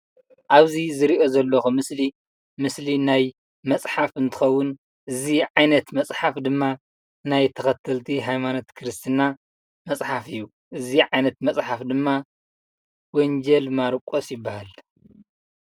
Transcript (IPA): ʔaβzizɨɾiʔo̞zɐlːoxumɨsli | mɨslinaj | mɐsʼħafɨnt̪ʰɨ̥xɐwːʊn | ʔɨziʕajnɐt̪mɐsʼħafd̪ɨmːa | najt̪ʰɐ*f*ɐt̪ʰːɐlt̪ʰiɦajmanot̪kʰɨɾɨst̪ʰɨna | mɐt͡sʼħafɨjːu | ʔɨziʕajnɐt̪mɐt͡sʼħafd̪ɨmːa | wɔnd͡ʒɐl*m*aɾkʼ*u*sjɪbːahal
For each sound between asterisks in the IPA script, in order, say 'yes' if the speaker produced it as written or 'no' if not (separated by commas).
no, yes, no